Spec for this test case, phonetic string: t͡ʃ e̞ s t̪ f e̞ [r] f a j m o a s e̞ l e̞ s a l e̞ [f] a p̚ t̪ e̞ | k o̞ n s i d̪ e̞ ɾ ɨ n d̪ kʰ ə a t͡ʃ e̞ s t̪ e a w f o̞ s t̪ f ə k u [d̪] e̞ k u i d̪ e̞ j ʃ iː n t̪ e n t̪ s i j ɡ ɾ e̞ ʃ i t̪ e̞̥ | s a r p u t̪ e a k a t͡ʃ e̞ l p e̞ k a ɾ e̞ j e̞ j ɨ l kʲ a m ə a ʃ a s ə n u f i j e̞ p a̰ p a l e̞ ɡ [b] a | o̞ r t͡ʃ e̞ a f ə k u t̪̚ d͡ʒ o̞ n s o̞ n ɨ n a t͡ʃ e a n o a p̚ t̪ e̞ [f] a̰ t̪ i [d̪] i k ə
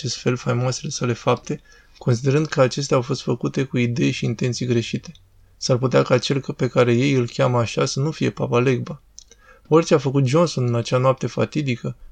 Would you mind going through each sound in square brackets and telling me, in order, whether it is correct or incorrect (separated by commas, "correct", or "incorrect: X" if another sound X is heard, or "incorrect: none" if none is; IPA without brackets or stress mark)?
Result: incorrect: l, correct, incorrect: t̪, correct, correct, correct